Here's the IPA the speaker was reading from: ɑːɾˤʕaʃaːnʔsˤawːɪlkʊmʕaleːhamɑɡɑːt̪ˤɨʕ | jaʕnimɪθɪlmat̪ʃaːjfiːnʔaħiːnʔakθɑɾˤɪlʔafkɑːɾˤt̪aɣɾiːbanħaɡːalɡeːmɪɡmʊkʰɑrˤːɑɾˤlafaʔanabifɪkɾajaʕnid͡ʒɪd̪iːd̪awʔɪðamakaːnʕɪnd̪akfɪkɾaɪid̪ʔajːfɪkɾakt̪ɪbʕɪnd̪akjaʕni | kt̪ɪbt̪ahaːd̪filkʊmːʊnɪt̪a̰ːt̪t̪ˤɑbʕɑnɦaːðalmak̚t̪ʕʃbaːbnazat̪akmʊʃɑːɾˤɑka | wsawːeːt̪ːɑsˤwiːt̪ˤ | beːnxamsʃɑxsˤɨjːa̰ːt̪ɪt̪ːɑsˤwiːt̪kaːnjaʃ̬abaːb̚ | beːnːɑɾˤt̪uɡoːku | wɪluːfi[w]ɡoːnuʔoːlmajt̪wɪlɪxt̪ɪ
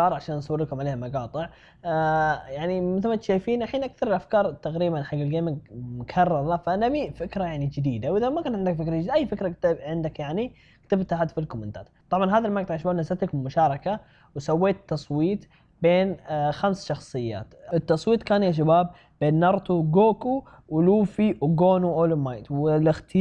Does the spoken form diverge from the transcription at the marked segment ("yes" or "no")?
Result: no